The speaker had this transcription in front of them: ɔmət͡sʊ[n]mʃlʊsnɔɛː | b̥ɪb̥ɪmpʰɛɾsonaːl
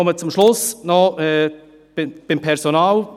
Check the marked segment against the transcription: incorrect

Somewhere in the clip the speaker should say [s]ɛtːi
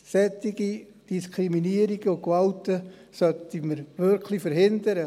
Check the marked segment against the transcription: correct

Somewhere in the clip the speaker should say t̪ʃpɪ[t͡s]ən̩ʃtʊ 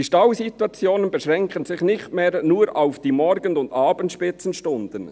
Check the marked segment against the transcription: correct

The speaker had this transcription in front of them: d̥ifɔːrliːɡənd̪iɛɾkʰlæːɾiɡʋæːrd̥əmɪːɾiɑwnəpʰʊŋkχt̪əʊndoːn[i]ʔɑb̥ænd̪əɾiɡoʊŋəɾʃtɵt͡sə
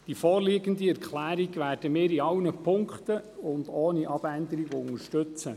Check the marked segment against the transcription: correct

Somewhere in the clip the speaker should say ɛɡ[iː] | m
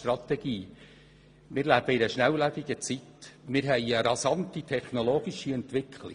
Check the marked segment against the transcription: correct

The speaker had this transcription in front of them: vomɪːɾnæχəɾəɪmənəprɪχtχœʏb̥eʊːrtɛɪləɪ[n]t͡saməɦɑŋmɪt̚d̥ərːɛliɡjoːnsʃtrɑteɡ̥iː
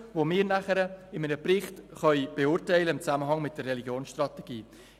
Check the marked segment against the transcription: incorrect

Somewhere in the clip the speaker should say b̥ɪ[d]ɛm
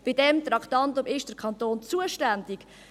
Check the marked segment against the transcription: correct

